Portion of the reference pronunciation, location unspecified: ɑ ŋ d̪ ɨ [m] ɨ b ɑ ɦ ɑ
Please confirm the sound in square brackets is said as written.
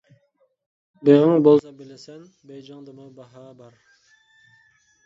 yes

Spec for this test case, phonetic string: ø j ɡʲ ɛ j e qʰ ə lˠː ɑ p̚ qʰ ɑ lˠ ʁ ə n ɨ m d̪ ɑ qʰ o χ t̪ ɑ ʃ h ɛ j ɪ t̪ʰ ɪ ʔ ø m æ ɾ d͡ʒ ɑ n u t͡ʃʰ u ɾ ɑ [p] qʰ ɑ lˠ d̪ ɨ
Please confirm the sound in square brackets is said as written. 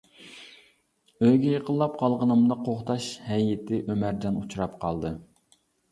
yes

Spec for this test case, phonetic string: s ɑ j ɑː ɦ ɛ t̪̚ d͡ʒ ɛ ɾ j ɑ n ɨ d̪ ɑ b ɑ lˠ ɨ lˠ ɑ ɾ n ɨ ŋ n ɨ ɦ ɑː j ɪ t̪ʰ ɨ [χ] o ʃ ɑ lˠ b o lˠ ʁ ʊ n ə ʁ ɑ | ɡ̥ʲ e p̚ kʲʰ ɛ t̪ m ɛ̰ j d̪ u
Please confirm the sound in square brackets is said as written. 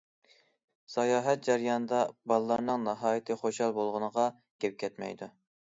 yes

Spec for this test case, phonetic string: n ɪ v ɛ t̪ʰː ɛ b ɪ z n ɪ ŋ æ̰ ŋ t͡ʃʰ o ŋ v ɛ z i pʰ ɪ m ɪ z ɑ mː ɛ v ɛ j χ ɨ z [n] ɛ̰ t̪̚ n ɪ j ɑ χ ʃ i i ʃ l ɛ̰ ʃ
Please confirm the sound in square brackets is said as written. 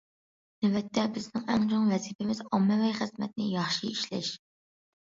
no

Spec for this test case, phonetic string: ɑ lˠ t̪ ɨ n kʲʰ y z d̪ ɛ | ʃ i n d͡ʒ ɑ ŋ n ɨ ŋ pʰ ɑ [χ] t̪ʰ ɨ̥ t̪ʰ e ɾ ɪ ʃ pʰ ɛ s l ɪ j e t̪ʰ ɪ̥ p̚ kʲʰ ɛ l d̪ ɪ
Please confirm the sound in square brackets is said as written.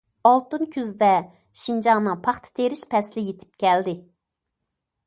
yes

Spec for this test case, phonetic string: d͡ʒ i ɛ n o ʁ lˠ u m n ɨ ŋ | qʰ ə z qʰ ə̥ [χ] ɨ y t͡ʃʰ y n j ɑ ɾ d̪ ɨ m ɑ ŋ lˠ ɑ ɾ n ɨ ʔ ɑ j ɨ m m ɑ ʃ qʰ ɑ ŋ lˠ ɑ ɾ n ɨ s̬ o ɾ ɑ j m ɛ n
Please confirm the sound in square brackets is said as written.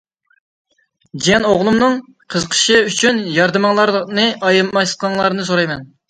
no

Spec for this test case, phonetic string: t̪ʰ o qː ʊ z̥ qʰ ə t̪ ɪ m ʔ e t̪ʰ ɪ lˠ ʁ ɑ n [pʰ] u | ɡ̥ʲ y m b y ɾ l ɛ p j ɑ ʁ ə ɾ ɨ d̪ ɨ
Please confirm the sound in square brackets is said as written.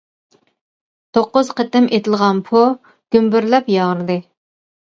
yes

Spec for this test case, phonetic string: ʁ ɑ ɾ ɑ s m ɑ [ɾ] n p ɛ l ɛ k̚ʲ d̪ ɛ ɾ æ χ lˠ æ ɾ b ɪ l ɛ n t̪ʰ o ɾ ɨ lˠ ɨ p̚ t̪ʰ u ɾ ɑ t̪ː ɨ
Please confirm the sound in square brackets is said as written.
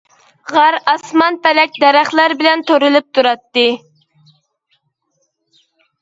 no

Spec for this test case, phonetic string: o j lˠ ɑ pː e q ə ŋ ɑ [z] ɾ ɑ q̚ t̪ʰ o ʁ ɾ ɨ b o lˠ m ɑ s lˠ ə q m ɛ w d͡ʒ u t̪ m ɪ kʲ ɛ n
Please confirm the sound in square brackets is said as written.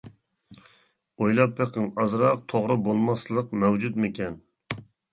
yes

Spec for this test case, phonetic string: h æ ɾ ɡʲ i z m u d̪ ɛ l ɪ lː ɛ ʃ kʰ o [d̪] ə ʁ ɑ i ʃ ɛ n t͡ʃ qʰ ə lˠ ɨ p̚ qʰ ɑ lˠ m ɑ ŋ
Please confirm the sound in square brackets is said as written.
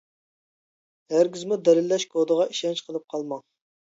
yes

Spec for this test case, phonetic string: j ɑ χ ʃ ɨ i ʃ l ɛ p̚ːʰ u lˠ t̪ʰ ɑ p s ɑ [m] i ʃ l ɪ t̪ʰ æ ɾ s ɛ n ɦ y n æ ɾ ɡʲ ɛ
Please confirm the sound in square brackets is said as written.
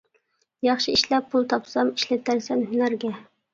yes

